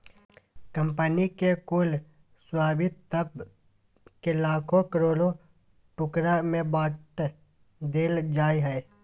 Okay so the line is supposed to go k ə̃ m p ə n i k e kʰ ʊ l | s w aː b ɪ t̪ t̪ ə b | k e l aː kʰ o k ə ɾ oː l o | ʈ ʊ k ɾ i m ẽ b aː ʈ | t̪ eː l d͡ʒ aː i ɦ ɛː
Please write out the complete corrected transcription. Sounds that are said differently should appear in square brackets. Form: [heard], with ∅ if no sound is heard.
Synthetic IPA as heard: k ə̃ m p ə n i k e [k] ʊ l | s w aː b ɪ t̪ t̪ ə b | k e l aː kʰ o k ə ɾ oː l o | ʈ ʊ k ɾ [a] m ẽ b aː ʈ | [d̪] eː l d͡ʒ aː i ɦ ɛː